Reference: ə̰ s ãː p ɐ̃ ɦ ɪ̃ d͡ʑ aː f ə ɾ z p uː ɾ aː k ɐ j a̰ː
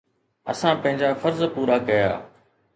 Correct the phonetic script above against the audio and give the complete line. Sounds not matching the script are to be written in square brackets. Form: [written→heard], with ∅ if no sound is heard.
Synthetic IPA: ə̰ s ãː p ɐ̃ ɦ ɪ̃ d͡ʑ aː f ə ɾ z p uː ɾ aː k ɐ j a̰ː